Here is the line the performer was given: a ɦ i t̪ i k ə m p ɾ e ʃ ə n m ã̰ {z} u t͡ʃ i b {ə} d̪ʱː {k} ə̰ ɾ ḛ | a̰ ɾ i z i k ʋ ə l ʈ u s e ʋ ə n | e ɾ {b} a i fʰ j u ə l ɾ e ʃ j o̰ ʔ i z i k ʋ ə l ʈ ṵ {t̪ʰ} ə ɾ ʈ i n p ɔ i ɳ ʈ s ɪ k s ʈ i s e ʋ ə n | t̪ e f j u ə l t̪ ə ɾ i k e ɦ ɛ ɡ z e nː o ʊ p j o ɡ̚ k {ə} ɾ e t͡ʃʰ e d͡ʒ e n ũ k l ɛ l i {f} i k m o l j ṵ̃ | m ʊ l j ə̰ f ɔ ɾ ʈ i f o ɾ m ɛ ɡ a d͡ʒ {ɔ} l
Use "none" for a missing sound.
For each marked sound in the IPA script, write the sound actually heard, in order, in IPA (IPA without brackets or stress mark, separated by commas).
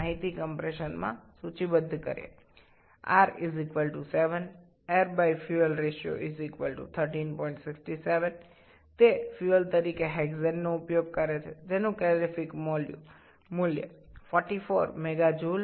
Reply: s, ə, k, b, t̪ʰ, ə, f, u